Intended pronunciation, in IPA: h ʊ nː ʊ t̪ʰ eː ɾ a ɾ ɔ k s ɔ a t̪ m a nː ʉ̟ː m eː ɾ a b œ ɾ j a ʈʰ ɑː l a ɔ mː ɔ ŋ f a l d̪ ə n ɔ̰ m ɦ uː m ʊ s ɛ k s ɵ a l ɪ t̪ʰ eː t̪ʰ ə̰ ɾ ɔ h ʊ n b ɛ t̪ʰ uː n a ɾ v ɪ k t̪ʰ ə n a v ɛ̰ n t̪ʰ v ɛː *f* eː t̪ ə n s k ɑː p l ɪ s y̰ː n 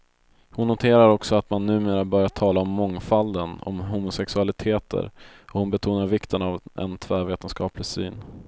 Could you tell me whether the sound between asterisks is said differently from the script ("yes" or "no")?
yes